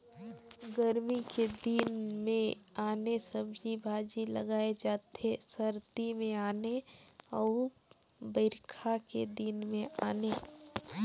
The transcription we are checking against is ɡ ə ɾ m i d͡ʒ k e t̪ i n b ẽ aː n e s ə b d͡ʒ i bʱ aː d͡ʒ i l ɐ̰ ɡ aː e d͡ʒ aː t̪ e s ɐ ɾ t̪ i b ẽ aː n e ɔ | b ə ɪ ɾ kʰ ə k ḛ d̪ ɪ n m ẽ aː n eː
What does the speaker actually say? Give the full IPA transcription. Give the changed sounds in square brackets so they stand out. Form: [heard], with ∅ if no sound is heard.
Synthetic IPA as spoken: ɡ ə ɾ m i [∅] k e [d̪] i n [m] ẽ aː n e s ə b d͡ʒ i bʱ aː d͡ʒ i l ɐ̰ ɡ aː e d͡ʒ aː t̪ e s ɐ ɾ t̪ i [m] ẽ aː n e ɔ | b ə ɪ ɾ kʰ [a] k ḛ d̪ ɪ n m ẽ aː n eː